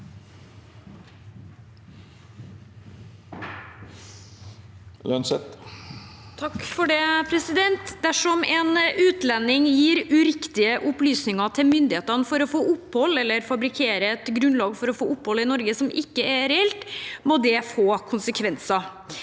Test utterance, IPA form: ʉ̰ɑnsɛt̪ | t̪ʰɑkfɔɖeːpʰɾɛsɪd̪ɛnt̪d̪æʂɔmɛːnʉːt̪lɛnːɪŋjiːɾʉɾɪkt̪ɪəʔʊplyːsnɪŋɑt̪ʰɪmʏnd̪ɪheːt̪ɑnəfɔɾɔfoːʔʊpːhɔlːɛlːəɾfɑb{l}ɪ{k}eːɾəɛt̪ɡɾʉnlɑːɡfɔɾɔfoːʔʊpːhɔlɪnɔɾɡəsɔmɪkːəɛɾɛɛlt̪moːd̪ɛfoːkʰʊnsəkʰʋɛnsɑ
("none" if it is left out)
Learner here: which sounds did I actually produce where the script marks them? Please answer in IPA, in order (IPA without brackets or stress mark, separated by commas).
ɾ, kʰ